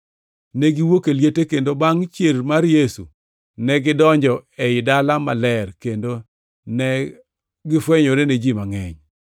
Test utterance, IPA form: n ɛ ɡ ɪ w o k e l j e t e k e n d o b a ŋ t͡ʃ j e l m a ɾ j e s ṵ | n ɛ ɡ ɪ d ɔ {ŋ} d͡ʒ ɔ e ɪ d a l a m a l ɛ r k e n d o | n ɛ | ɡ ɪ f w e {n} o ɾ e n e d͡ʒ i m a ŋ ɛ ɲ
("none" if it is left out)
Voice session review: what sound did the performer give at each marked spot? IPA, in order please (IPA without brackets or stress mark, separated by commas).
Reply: ɲ, ɲ